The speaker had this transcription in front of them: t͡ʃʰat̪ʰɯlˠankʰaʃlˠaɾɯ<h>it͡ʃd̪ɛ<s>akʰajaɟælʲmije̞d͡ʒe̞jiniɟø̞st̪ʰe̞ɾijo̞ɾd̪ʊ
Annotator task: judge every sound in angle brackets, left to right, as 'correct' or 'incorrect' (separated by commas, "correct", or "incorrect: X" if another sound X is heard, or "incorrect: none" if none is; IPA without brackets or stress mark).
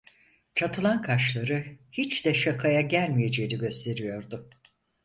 correct, incorrect: ʃ